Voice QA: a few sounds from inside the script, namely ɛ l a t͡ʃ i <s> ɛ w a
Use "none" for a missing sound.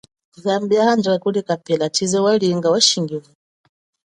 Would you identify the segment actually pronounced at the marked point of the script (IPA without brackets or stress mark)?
z